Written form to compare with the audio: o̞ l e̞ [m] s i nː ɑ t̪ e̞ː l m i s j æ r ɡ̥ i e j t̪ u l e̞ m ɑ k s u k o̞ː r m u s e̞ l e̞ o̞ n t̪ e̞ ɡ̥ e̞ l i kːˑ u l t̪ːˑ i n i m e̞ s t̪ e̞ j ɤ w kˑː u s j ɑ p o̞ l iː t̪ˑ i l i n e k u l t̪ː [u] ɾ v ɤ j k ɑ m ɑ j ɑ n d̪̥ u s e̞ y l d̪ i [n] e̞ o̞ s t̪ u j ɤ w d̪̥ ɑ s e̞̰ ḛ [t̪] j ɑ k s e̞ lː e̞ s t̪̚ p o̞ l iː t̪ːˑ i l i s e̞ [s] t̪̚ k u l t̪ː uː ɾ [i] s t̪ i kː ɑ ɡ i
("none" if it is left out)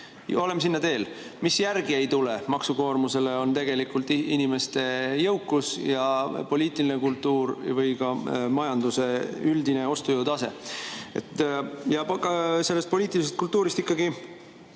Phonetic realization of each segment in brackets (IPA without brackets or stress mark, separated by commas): m, uː, n, t̪, s, i